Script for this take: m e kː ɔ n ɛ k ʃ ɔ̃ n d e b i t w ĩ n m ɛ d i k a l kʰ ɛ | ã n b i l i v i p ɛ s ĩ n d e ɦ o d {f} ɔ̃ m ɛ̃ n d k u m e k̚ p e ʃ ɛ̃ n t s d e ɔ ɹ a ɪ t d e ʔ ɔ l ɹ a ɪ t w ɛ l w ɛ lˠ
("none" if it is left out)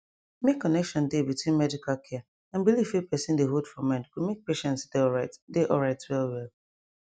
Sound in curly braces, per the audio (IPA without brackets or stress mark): f